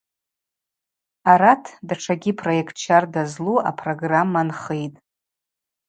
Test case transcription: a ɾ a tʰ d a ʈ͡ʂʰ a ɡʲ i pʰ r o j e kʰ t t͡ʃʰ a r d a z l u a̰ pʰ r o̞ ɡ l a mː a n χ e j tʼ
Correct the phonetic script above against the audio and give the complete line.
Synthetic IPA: a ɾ a tʰ d a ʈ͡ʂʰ a ɡʲ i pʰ r o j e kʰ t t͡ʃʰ a r d a z l u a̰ pʰ r o̞ ɡ r a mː a n χ e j tʼ